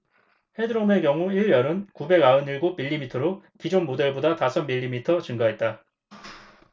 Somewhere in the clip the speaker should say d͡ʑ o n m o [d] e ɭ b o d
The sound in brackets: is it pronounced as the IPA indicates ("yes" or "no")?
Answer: yes